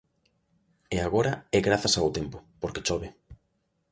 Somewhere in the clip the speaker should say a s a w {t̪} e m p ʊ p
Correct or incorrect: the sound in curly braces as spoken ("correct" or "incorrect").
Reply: correct